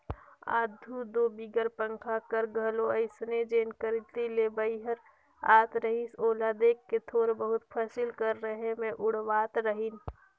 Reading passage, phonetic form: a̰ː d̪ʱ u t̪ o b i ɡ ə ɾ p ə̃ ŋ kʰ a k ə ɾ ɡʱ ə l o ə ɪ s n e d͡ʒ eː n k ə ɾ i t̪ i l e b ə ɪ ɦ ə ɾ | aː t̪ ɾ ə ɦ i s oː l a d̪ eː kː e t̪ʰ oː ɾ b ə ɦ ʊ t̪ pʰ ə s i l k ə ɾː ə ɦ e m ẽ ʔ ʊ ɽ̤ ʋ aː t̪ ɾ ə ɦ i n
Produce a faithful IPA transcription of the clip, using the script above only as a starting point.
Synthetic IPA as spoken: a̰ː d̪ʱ u d̪ o b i ɡ ə ɾ p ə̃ ŋ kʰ a k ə ɾ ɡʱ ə l o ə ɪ s n e d͡ʒ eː n k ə ɾ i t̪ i l e b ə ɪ ɦ ə ɾ | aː t̪ ɾ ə ɦ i s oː l a d̪ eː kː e t̪ʰ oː ɾ b ə ɦ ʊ t̪ pʰ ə s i l k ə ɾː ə ɦ e m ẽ ʔ ʊ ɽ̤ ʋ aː t̪ ɾ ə ɦ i n